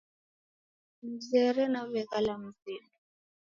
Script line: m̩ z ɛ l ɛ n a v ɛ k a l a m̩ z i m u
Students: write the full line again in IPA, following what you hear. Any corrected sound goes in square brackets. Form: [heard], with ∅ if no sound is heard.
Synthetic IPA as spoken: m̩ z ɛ [ɾ] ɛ n a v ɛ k a l a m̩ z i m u